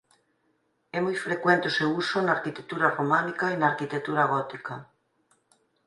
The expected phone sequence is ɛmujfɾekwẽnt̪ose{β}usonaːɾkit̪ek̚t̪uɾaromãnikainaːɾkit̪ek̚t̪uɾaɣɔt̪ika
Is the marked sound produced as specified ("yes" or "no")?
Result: no